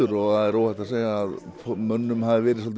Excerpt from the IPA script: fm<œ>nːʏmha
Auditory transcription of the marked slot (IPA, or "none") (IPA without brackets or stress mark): œ